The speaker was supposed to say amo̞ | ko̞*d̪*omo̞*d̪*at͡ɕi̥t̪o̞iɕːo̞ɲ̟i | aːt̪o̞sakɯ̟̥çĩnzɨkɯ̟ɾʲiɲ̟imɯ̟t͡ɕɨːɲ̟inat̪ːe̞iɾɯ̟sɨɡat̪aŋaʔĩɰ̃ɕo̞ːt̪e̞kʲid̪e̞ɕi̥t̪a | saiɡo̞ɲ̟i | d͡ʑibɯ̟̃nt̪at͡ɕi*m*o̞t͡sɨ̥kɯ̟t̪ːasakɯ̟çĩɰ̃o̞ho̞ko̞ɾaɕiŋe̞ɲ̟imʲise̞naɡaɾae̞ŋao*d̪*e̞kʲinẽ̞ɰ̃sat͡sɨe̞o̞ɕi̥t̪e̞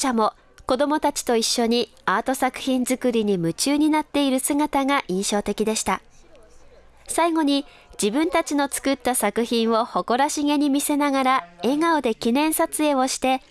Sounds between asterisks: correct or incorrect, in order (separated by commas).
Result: correct, incorrect, incorrect, correct